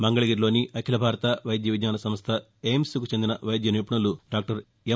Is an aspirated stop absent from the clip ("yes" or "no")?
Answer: no